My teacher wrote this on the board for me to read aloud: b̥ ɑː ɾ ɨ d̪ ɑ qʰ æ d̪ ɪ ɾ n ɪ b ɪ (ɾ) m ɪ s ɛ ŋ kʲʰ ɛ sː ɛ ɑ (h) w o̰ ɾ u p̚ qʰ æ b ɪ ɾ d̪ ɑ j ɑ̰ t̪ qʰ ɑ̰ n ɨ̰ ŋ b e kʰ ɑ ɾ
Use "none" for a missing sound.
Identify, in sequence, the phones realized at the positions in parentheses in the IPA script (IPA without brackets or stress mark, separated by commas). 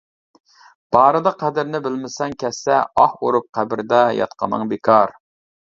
l, h